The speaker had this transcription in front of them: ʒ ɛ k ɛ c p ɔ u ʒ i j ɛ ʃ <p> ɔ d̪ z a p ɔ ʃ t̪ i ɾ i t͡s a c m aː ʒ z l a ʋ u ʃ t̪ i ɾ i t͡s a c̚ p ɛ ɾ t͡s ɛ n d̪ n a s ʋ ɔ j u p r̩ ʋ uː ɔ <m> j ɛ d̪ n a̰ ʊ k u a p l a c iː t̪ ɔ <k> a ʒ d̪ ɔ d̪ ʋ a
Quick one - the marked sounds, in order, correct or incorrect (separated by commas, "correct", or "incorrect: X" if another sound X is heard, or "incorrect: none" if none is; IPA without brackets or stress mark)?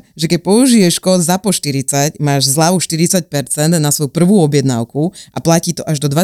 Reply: incorrect: k, incorrect: b, incorrect: ʔ